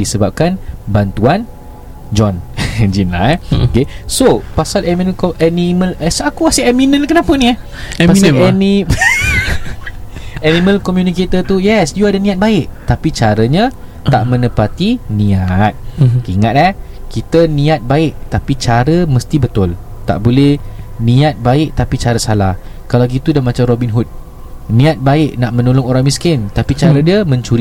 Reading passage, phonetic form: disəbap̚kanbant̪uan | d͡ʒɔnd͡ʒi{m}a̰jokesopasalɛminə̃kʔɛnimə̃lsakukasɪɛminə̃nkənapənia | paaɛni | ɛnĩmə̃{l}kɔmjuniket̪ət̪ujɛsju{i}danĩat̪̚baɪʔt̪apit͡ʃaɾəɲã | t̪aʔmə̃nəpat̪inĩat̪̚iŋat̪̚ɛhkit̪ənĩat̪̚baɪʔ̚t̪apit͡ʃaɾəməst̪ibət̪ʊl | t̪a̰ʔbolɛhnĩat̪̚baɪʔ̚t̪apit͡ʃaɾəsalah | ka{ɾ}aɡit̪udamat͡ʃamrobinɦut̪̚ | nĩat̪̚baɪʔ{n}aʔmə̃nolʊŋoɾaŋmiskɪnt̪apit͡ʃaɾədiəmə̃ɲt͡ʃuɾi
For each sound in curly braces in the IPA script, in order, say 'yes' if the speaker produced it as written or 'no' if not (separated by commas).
no, yes, no, no, yes